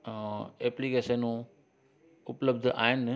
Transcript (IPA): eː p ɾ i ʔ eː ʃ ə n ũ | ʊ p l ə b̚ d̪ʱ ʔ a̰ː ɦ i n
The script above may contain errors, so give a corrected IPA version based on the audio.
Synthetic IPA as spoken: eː p l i k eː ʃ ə n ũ | ʊ p l ə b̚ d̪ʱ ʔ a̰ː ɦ ɪ n